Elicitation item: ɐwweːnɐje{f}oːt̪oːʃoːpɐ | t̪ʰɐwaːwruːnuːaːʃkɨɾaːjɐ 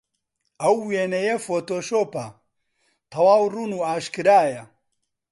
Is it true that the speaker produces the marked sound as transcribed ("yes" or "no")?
yes